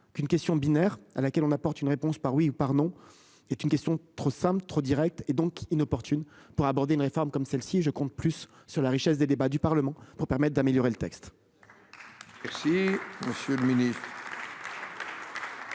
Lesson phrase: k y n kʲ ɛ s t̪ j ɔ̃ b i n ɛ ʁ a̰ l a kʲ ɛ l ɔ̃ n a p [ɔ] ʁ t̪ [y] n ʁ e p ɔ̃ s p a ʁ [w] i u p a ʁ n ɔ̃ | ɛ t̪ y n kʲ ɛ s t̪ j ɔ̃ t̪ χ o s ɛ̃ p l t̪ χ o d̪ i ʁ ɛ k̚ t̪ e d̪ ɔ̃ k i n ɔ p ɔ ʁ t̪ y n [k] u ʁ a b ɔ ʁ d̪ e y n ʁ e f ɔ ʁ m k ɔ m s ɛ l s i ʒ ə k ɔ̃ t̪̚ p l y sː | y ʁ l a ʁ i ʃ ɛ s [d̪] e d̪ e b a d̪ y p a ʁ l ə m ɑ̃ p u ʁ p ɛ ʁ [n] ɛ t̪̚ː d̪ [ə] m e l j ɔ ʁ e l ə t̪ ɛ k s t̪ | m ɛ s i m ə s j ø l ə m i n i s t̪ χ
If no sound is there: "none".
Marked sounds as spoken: ɔ, y, w, p, d̪, m, a

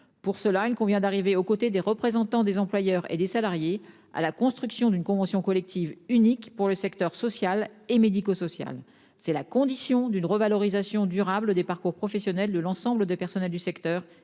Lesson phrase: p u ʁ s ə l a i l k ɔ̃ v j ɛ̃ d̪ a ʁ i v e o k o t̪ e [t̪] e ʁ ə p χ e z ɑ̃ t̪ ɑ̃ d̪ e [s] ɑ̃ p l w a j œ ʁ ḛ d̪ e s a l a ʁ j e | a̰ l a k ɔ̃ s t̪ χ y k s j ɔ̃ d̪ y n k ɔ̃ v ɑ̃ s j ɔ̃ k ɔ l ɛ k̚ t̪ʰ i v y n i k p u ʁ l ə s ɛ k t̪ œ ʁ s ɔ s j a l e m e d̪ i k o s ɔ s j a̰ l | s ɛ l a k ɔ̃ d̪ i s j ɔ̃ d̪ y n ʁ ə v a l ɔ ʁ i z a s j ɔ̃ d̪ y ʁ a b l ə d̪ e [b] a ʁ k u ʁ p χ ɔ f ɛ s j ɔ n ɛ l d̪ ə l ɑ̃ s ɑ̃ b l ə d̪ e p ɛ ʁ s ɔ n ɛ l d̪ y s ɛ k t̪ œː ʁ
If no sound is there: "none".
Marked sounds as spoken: d̪, z, p

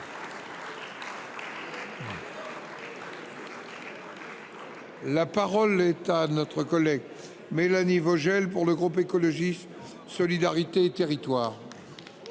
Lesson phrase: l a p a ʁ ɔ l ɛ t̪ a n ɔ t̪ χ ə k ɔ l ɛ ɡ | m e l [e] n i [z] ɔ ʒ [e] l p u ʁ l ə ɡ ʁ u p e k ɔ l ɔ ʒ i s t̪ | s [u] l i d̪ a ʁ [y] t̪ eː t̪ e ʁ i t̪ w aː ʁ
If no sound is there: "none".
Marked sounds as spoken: a, v, ɛ, ɔ, i

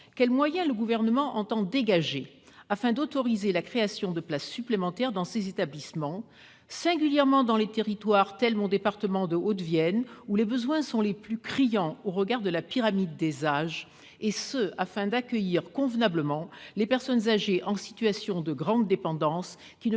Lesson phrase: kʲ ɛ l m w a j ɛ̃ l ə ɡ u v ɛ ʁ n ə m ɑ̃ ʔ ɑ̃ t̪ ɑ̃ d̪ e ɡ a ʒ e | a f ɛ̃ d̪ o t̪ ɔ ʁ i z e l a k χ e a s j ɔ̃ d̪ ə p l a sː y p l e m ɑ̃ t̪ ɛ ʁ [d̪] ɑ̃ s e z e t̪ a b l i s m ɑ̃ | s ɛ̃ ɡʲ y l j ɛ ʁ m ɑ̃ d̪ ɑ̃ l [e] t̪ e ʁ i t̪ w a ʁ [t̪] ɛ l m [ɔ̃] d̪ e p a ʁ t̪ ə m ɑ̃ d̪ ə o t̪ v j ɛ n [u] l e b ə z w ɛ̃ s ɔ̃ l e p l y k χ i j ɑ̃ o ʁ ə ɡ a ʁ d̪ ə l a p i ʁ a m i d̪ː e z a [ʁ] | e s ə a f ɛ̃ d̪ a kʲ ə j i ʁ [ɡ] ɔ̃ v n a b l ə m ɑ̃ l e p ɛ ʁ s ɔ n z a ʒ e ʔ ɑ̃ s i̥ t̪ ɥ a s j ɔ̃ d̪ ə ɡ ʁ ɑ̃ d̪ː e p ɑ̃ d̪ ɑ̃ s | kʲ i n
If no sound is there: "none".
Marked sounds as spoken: d̪, e, t̪, ɔ̃, u, ʒ, k

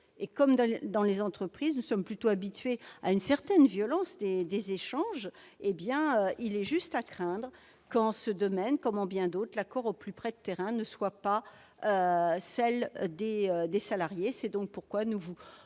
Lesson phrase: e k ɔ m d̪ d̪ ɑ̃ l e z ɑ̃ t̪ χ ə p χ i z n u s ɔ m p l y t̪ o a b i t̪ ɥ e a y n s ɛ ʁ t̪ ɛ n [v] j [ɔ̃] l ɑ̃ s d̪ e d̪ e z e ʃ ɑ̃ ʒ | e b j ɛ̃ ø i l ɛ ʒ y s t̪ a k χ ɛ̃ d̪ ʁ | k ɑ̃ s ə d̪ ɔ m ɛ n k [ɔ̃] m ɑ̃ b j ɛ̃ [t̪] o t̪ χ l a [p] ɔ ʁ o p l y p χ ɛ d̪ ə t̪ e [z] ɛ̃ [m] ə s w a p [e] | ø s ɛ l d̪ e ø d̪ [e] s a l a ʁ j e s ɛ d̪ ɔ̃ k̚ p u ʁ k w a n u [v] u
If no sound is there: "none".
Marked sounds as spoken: v, ɔ, ɔ, d̪, k, ʁ, n, a, e, v

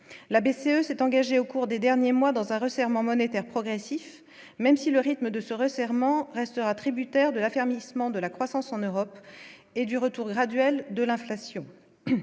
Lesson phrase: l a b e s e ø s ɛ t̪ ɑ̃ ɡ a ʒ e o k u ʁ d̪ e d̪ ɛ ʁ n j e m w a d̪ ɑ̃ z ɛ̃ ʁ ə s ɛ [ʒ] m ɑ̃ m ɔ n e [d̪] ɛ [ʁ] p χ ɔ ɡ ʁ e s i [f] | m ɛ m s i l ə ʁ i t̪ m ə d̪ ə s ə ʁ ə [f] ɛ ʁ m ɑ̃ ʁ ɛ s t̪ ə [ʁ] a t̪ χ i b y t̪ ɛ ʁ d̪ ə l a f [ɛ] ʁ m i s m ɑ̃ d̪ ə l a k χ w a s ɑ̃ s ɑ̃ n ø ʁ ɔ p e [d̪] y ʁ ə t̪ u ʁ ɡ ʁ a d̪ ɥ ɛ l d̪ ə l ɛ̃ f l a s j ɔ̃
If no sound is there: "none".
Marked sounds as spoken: ʁ, t̪, ʁ, f, s, ʁ, ɛ, d̪

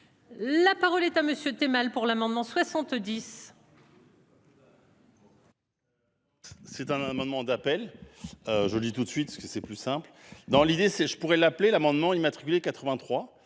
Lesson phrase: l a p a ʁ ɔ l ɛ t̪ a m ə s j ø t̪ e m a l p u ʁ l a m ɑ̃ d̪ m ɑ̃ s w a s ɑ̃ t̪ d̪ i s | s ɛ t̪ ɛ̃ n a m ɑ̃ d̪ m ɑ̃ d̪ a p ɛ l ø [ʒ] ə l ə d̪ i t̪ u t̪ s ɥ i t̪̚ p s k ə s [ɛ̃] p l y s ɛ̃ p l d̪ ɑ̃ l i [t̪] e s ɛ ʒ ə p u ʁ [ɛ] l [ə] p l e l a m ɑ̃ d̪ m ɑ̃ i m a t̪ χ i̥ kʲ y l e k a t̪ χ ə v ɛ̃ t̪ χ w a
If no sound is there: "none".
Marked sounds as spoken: ʒ, ɛ, d̪, ɛ, a

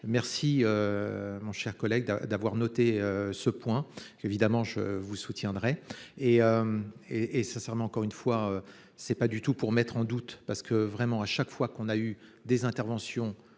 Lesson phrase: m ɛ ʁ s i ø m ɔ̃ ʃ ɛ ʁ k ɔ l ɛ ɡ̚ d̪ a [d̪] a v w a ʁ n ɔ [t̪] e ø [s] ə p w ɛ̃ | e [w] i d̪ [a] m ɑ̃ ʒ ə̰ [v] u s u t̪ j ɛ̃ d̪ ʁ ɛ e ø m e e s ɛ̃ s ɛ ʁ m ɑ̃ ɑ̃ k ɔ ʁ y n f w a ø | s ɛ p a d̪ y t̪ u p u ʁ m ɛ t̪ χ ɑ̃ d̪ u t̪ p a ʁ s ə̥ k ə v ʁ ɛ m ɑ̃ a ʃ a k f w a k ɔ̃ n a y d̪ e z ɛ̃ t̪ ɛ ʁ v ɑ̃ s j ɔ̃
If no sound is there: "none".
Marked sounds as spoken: d̪, t̪, s, v, a, v

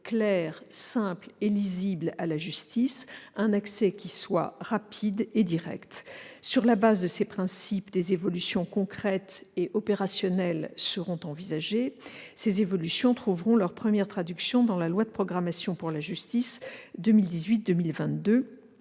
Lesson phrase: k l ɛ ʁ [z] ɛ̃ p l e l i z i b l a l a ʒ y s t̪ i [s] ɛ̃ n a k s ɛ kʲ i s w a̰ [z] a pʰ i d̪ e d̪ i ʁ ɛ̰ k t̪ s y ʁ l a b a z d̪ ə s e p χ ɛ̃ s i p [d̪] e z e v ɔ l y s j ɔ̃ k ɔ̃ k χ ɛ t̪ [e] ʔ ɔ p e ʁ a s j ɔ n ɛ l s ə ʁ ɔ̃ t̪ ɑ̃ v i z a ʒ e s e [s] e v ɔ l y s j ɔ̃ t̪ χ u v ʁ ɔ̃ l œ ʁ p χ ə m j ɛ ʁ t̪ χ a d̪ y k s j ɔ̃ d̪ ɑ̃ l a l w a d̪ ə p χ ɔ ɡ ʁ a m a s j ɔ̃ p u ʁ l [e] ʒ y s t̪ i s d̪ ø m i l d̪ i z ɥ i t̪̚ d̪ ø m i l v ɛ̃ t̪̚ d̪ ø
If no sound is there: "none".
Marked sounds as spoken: s, s, ʁ, d̪, e, z, a

